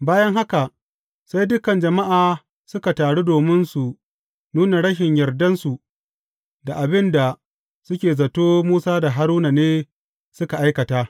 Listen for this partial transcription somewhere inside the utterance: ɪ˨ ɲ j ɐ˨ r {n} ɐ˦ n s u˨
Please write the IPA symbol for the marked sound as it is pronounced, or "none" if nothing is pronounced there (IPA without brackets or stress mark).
d